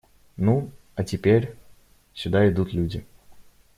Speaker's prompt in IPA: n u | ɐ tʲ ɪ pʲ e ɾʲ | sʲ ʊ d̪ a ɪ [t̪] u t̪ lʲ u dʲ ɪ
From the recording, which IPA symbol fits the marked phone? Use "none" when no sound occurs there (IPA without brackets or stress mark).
d̪